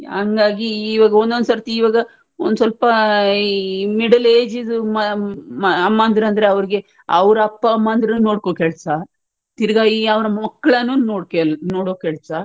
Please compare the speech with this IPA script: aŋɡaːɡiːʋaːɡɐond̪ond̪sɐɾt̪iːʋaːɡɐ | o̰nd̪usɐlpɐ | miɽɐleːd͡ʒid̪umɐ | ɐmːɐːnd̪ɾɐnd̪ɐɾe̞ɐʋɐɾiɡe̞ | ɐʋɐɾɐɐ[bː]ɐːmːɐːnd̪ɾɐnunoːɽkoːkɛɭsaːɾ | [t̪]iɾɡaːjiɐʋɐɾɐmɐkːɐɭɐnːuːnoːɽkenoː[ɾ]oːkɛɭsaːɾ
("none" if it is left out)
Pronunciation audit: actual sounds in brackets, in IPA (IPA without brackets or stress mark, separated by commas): pː, t̪, ɽ